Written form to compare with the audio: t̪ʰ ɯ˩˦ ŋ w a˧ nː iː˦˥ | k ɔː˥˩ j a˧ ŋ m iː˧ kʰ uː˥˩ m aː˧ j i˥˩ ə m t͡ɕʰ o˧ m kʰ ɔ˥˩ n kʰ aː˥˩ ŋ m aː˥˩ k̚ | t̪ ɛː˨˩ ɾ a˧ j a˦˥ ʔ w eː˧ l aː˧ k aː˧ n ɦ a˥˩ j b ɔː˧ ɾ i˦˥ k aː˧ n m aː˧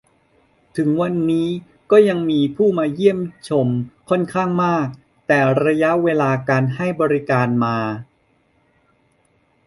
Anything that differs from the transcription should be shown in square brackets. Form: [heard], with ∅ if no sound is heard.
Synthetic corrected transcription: t̪ʰ ɯ˩˦ ŋ w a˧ nː iː˦˥ | k ɔː˥˩ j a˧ ŋ m iː˧ [pʰ] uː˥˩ m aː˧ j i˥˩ ə m t͡ɕʰ o˧ m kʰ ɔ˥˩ n kʰ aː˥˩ ŋ m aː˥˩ k̚ | t̪ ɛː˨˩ ɾ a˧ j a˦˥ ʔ w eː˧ l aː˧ k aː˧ n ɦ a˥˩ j b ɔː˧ ɾ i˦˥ k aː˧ n m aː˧